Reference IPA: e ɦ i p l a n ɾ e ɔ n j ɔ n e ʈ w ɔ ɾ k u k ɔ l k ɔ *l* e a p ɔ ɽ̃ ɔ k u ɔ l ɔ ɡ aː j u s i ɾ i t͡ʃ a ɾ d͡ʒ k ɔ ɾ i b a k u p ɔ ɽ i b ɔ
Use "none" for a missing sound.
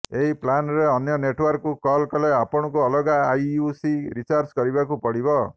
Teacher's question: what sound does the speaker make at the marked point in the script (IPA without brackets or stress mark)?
l